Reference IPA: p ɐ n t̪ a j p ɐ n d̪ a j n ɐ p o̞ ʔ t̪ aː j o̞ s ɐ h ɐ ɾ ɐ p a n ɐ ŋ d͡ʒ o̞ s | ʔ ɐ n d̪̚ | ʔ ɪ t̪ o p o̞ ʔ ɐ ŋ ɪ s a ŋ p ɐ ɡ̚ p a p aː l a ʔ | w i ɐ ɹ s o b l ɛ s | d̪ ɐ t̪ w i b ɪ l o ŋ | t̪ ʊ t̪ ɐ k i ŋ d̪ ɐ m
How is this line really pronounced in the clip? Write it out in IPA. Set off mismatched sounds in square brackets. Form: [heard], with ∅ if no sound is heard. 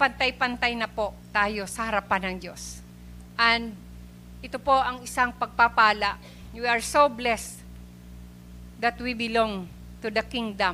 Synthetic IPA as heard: p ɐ n t̪ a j p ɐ n [t̪] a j n ɐ p o̞ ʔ t̪ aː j o̞ s ɐ h ɐ ɾ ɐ p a n ɐ ŋ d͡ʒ o̞ s | ʔ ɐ n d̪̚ | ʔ ɪ t̪ o p o̞ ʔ ɐ ŋ ɪ s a ŋ p ɐ ɡ̚ p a p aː l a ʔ | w i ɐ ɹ s o b l ɛ s | d̪ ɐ t̪ w i b ɪ l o ŋ | t̪ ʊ [d̪] ɐ k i ŋ d̪ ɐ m